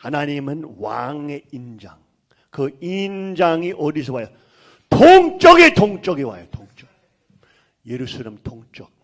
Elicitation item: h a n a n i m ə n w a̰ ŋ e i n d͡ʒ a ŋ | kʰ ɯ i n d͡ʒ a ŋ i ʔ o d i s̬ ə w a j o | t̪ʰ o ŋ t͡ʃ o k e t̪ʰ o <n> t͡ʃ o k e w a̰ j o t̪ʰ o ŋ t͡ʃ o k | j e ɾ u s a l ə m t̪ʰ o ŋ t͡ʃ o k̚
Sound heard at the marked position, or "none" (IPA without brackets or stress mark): ŋ